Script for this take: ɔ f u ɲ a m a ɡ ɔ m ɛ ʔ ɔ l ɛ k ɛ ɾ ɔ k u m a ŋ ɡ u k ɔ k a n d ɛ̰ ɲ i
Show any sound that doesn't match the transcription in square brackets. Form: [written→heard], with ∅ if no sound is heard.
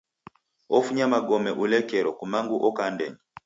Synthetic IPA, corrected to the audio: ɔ f u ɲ a m a ɡ ɔ m ɛ ʔ [ɔ→u] l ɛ k ɛ ɾ ɔ k u m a ŋ ɡ u [k→ʔ] ɔ k a n d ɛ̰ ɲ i